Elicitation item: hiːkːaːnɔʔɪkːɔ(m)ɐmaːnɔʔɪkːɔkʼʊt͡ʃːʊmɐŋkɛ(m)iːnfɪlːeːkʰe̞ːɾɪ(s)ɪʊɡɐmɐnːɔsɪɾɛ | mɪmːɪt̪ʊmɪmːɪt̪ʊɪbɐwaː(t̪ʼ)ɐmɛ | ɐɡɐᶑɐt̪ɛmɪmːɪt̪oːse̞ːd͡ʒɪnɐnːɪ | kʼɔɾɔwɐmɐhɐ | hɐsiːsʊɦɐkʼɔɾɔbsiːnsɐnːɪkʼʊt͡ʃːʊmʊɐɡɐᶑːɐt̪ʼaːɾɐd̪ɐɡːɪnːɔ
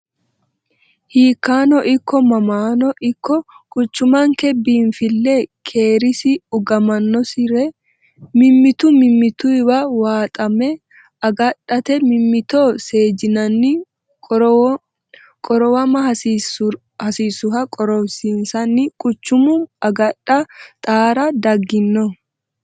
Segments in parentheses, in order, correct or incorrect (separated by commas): correct, incorrect, correct, correct